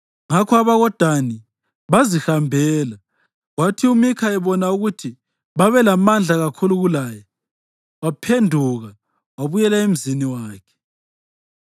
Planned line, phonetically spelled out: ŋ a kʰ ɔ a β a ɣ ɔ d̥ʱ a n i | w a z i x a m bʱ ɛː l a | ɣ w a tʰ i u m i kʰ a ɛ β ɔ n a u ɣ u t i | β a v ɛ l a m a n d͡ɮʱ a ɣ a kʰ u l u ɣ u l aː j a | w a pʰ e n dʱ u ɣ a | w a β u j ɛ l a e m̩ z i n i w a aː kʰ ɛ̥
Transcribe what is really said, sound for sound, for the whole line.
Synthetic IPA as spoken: ŋ a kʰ ɔ a β a ɣ ɔ d̥ʱ a n i | β a z i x a m bʱ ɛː l a | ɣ w a tʰ i u m i kʰ a ɛ β ɔ n a u ɣ u tʰ i | β a β ɛ l a m a n d͡ɮʱ a ɣ a kʰ u l u ɣ u l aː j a | w a pʰ e n dʱ u ɣ a | w a β u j ɛ l a e m̩ z i n i w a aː kʰ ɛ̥

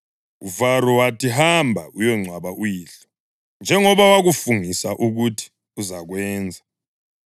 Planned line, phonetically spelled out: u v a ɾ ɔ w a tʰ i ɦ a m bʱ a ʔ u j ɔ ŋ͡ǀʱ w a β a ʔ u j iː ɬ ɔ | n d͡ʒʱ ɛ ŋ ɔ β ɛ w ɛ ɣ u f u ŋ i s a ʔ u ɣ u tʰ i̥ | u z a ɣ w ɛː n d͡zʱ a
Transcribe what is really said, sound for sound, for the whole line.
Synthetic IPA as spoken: u v a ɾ ɔ w a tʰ i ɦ a m bʱ a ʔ u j ɔ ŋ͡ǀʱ w a β a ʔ u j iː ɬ ɔ | n d͡ʒʱ ɛ ŋ ɔ β a w a ɣ u f u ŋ i s a ʔ u ɣ u tʰ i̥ | u z a ɣ w ɛː n d͡zʱ a

